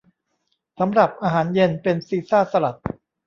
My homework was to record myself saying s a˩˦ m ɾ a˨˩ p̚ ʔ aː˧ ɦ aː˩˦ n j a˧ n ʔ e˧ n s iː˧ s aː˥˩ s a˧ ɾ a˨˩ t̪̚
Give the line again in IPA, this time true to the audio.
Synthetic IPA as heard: s a˩˦ m ɾ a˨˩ p̚ ʔ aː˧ ɦ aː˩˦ n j e˧ n p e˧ n s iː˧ s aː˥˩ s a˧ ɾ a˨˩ t̪̚